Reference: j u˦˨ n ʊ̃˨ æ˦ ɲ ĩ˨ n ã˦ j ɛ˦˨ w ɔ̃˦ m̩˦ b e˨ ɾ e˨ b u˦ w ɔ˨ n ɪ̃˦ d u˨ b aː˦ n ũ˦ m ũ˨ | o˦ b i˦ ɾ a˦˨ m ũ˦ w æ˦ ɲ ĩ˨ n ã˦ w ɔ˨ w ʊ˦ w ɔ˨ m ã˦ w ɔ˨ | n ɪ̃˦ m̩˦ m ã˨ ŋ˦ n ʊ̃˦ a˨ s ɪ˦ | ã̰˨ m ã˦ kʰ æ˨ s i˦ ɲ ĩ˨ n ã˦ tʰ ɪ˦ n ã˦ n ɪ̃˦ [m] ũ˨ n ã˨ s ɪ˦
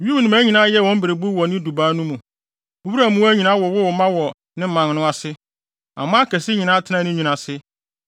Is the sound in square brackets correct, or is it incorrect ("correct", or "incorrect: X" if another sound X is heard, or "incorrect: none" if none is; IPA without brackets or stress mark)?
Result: incorrect: ɲ